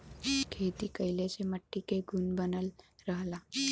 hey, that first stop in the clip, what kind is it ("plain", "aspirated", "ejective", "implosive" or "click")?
aspirated